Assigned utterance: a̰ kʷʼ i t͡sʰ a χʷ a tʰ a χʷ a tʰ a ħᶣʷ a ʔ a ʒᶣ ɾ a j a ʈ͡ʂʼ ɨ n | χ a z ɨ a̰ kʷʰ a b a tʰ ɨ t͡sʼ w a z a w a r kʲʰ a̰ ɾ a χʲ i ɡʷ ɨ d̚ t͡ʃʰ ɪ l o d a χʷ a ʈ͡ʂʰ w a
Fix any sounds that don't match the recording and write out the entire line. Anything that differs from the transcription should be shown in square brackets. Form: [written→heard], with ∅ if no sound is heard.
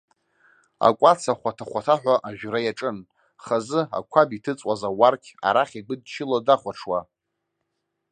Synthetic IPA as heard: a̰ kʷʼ [i→a] t͡sʰ a χʷ a tʰ a χʷ a tʰ a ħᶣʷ a ʔ a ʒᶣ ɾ a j a ʈ͡ʂʼ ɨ n | χ a z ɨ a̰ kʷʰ a b [a→i] tʰ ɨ t͡sʼ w a z a w a r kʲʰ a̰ ɾ a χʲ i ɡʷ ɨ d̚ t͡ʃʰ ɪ l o d a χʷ a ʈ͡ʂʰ w a